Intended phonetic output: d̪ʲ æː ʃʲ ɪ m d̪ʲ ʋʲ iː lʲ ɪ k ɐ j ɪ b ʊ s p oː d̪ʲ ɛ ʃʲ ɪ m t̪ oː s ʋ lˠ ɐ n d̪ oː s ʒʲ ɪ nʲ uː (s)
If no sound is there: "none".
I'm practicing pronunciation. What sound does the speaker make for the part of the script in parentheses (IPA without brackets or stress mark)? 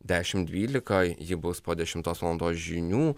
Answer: none